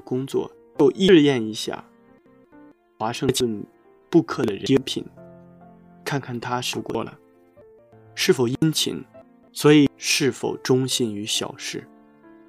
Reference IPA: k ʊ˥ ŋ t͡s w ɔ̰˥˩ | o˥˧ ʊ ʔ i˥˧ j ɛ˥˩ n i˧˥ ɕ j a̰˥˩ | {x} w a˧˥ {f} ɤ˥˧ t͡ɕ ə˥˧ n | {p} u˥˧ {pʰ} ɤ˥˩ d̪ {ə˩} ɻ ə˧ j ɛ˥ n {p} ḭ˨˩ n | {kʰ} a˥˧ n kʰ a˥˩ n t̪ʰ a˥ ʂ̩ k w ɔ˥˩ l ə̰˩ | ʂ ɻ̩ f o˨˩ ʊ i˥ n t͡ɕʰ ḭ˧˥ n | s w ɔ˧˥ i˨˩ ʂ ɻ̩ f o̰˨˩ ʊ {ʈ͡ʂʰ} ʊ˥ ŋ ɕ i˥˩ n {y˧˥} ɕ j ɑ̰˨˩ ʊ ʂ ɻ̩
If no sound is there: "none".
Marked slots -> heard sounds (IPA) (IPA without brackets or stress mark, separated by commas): x, ʂ, p, kʰ, ə˩, pʰ, kʰ, ʈ͡ʂ, y˧˥